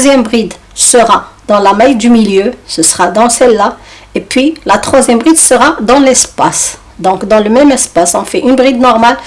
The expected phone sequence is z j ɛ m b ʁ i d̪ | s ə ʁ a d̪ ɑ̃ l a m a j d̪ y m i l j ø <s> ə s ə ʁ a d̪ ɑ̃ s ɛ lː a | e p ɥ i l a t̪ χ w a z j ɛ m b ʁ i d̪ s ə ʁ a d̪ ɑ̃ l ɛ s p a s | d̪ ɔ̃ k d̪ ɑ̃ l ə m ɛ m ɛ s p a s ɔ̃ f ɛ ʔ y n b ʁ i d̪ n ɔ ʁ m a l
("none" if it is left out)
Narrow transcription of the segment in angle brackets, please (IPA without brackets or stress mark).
s